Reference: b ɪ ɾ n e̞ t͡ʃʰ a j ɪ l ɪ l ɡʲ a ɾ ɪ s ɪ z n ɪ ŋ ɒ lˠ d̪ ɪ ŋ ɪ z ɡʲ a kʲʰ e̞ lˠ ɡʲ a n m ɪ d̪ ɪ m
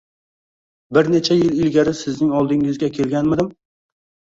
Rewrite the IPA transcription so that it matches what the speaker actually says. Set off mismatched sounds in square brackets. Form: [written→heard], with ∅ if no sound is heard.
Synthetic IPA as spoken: b ɪ ɾ n e̞ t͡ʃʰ a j ɪ l ɪ l ɡʲ a ɾ ɪ s ɪ z n ɪ ŋ ɒ lˠ d̪ ɪ ŋ ɪ z ɡʲ a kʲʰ e̞ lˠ ɡʲ a n m ɪ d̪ ɪ m